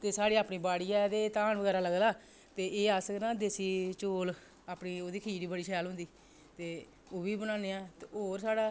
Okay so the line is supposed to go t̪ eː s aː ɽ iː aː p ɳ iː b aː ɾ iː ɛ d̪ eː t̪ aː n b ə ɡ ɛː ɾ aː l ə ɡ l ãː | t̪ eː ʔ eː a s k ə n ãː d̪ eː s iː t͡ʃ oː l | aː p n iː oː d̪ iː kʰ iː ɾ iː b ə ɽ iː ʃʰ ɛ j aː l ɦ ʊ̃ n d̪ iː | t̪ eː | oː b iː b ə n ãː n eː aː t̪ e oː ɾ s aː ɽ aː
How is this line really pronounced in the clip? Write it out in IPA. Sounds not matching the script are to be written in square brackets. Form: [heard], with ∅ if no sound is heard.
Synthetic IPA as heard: t̪ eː s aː ɽ iː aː p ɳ iː b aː [ɽ] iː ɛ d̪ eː t̪ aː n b ə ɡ ɛː ɾ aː l ə ɡ l [aː] | t̪ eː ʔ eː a s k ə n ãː d̪ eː s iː t͡ʃ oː l | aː p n iː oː d̪ iː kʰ iː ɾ iː b ə ɽ iː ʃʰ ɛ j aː l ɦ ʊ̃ n d̪ iː | t̪ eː | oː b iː b ə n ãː n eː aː t̪ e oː ɾ s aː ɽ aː